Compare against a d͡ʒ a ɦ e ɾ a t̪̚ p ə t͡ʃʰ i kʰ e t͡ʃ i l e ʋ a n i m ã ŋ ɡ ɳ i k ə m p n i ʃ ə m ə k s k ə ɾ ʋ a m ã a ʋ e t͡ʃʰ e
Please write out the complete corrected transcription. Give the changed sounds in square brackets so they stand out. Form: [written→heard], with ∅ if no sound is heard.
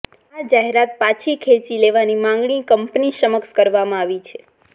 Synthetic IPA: a d͡ʒ a ɦ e ɾ a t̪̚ p [ə→a] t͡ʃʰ i kʰ e t͡ʃ i l e ʋ a n i m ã ŋ ɡ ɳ i k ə m p n i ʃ ə m ə k s k ə ɾ ʋ a m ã a ʋ [e→i] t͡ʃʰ e